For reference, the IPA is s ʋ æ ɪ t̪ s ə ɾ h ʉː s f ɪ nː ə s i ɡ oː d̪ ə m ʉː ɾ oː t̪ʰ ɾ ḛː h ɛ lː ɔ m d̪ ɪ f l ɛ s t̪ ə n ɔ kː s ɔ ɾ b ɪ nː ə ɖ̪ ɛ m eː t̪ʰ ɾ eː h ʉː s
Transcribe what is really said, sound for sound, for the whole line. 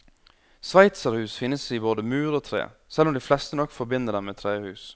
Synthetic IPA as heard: s ʋ æ ɪ t̪ s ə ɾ h ʉː s f ɪ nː ə s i b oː d̪ ə m ʉː ɾ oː t̪ʰ ɾ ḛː s ɛ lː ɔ m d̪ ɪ f l ɛ s t̪ ə n ɔ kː f ɔ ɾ b ɪ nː ə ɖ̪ ɛ m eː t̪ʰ ɾ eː h ʉː s